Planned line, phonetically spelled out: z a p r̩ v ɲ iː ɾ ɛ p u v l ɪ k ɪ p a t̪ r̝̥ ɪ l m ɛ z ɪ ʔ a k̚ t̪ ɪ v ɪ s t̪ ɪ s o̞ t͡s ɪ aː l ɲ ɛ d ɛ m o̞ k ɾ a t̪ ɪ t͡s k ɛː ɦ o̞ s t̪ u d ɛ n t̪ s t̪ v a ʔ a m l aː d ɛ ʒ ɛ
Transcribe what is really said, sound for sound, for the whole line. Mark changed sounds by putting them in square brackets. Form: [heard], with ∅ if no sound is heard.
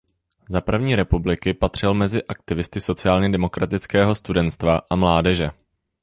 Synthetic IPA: z a p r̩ v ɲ iː ɾ ɛ p u [b] l ɪ k ɪ p a t̪ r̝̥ ɪ l m ɛ z ɪ ʔ a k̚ t̪ ɪ v ɪ s t̪ ɪ s o̞ t͡s ɪ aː l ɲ ɛ d ɛ m o̞ k ɾ a t̪ ɪ t͡s k ɛː ɦ o̞ s t̪ u d ɛ n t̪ s t̪ v a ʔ a m l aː d ɛ ʒ ɛ